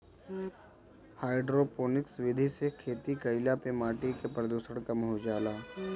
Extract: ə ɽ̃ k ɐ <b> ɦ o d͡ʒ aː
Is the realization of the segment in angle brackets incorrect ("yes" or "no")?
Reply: yes